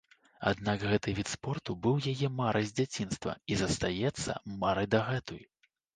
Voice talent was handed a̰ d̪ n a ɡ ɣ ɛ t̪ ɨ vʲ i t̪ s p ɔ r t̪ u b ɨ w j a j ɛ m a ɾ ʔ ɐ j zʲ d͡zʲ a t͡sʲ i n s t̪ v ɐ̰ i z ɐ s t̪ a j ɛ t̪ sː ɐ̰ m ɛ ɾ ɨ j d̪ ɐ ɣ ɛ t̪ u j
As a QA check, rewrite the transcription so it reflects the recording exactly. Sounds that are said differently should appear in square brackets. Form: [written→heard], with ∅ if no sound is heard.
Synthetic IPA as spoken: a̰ d̪ n a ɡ ɣ ɛ t̪ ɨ vʲ i t̪ s p ɔ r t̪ u b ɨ w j a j ɛ m a ɾ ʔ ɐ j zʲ d͡zʲ a t͡sʲ i n s t̪ v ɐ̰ i z ɐ s t̪ a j ɛ t̪ sː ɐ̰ m [ɛ→a] ɾ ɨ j d̪ ɐ ɣ ɛ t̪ u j